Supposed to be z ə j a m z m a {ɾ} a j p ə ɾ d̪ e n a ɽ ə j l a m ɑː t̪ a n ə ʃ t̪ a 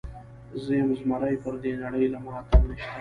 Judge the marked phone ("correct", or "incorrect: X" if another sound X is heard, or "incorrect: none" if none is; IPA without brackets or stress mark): correct